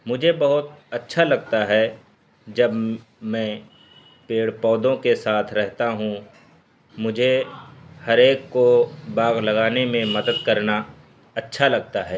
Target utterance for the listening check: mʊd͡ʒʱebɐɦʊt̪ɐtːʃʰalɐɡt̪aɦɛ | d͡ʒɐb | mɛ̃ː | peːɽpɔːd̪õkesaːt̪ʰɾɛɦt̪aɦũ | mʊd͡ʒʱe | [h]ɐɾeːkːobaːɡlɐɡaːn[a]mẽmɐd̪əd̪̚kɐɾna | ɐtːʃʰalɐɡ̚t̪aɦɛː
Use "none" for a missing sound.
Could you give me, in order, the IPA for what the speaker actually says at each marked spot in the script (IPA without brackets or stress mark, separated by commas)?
h, e